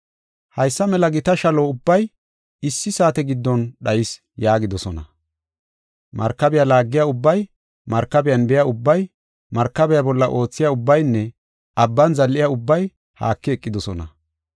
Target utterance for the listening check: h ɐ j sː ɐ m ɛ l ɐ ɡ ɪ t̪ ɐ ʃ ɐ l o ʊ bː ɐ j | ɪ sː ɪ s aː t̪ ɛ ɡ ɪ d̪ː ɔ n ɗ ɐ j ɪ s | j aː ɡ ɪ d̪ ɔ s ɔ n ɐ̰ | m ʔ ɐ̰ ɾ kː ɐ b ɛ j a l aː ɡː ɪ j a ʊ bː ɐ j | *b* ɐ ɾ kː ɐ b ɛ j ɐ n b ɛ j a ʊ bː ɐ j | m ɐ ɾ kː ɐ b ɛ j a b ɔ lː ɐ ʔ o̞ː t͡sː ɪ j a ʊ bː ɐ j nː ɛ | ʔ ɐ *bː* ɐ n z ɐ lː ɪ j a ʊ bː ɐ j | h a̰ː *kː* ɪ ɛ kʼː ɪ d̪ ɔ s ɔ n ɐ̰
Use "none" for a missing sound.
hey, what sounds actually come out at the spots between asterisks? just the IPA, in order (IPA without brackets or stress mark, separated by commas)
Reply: m, bː, kː